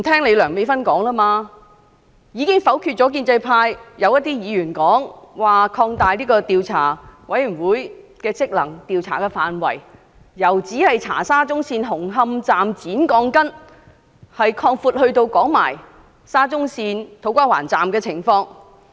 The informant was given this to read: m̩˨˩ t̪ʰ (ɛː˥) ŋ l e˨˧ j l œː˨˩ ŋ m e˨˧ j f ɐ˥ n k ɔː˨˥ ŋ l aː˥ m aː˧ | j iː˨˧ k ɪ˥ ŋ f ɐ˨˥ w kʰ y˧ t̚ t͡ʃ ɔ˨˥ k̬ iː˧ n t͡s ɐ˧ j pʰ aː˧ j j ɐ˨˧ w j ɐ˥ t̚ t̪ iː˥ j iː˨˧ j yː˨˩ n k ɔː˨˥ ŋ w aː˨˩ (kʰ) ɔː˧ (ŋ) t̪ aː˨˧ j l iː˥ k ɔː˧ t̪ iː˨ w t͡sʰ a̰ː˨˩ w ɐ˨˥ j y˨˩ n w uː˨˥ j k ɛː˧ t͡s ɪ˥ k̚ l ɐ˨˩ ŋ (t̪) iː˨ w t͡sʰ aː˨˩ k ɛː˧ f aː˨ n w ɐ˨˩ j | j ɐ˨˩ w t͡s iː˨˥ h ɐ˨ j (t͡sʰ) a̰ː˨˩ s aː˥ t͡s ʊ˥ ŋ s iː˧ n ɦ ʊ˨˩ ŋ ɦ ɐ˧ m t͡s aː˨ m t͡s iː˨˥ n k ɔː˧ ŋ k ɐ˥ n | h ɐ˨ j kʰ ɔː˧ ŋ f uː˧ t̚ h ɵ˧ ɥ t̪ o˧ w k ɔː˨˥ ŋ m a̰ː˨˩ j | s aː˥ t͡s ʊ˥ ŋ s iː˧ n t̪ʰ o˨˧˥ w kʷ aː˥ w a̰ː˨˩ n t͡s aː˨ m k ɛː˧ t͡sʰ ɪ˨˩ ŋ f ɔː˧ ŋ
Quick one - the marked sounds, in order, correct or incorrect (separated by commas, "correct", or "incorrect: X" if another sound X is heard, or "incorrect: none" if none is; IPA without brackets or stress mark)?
correct, correct, correct, correct, correct